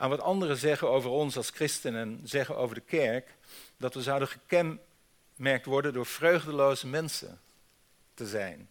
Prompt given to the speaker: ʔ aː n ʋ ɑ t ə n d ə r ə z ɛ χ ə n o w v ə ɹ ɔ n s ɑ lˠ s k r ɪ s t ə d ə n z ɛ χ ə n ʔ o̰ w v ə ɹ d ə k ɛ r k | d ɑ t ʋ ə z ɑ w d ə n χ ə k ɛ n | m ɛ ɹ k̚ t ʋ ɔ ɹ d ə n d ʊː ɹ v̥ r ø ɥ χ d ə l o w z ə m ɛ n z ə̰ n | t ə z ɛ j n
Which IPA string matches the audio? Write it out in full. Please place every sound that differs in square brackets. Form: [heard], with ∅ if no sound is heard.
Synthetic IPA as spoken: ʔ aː n ʋ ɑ t [ɑ] n d ə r ə z ɛ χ ə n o w v ə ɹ ɔ n s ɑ lˠ s k r ɪ s t ə [n] ə n z ɛ χ ə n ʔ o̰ w v ə ɹ d ə k ɛ [ɹ] k | d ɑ t ʋ ə z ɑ w d ə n χ ə k ɛ n | m ɛ ɹ k̚ t ʋ ɔ ɹ d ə n d ʊː ɹ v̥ r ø ɥ χ d ə l o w z ə m ɛ n [s] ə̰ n | t ə z ɛ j n